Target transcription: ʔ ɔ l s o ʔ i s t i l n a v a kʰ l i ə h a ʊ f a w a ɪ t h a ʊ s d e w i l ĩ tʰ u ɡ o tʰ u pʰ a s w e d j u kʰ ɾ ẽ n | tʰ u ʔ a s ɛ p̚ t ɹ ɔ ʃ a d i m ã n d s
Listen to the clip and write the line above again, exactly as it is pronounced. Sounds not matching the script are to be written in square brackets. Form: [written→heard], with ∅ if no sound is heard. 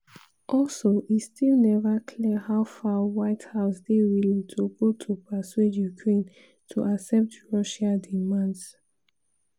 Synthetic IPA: ʔ ɔ l s o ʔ i s t i l n [a→ɛ] v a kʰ l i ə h a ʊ f a w a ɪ t h a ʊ s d e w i l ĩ tʰ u ɡ o tʰ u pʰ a s w e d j u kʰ [ɾ→ɹ] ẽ n | tʰ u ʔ a s ɛ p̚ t ɹ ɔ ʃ a d i m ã n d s